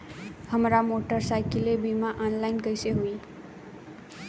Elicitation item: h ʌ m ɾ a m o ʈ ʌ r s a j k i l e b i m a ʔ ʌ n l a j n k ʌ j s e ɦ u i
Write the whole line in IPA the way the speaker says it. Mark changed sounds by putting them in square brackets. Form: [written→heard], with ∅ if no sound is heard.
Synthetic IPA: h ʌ m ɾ a m o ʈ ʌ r s a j k i l e b i m a ʔ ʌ n l a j n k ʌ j s e ɦ u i